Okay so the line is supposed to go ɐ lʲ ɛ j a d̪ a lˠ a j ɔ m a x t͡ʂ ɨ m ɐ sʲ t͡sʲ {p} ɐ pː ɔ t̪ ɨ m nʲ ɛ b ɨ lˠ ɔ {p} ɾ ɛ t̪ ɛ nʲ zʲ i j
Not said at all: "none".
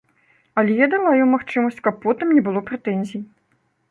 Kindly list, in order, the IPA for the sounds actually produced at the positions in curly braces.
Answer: k, p

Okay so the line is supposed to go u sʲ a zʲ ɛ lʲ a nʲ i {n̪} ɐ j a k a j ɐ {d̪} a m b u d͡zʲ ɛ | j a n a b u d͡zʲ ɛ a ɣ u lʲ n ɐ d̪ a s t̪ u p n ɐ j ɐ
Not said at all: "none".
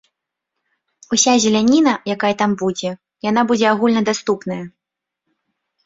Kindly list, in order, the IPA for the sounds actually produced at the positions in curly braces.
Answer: n̪, t̪

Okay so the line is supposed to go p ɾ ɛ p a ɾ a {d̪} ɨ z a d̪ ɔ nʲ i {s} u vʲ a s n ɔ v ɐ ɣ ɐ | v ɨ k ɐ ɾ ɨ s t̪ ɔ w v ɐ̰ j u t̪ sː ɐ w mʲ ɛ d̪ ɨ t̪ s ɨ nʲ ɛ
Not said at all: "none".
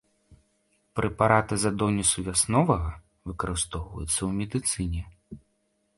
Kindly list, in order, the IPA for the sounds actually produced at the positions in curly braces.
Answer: t̪, s

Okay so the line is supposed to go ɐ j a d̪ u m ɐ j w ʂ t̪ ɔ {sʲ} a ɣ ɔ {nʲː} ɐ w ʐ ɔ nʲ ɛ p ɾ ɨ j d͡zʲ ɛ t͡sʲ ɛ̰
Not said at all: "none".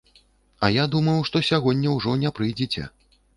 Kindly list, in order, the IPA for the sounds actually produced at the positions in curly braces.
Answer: sʲ, nʲː

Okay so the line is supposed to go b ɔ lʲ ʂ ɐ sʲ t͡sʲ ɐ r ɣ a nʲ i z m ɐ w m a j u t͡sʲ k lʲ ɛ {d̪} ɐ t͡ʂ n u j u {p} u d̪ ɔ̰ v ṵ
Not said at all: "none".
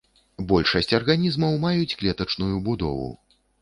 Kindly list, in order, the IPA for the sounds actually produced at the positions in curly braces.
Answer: t̪, b

